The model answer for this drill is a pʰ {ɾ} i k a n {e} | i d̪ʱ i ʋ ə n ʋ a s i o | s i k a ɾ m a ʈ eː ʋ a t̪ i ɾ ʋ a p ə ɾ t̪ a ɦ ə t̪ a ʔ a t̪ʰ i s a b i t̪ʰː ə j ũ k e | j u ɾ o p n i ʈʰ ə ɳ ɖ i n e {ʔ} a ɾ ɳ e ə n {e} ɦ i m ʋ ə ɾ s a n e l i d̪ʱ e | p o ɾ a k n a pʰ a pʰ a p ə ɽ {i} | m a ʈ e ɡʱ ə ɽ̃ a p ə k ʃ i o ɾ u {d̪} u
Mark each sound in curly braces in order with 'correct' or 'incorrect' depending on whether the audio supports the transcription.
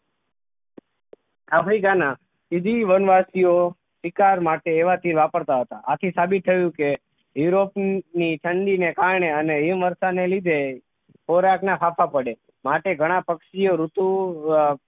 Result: correct, incorrect, incorrect, correct, incorrect, incorrect

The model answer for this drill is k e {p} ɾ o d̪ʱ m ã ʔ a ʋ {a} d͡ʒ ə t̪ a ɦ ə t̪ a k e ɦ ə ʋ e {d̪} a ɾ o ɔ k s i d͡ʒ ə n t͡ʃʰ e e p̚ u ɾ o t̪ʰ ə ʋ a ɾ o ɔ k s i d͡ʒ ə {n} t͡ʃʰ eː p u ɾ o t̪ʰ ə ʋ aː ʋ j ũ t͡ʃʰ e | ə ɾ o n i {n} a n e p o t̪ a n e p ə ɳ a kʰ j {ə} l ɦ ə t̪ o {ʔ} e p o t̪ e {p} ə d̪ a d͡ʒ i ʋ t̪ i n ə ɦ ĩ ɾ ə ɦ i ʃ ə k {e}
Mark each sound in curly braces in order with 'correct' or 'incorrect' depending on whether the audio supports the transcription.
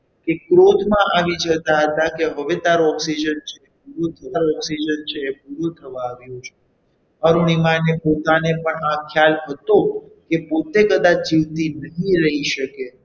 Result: incorrect, incorrect, incorrect, correct, incorrect, incorrect, incorrect, incorrect, correct

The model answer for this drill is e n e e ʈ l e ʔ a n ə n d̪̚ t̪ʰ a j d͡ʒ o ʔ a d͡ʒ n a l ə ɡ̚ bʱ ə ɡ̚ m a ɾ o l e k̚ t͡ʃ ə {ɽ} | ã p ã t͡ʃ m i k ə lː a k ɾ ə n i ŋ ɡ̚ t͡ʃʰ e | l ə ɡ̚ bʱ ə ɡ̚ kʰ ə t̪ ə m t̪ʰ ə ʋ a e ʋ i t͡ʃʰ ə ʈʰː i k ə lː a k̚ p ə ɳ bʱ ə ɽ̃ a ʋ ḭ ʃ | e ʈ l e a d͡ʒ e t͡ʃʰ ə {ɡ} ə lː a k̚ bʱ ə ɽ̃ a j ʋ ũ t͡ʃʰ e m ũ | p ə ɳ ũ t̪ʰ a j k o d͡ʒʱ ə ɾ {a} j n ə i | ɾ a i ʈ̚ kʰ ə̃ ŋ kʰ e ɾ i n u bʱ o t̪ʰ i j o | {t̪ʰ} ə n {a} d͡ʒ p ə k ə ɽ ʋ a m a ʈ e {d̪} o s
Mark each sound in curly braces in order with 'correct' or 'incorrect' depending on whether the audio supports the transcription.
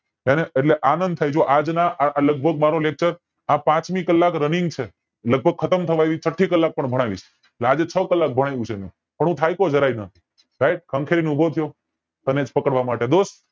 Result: incorrect, incorrect, correct, incorrect, incorrect, correct

